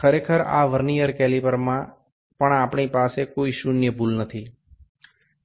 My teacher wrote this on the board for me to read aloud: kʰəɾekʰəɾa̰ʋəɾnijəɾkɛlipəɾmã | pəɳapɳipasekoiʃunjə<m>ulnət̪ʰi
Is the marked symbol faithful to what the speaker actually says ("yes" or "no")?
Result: no